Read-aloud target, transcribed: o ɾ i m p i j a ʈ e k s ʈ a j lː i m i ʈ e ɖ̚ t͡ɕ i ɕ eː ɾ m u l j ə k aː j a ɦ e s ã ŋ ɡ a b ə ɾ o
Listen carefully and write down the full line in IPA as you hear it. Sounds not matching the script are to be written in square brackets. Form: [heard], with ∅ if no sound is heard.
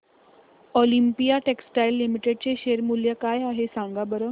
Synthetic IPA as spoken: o [l] i m p i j a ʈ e k s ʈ a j lː i m i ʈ e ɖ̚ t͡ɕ [e] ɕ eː ɾ m u l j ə k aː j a ɦ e s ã ŋ ɡ a b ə ɾ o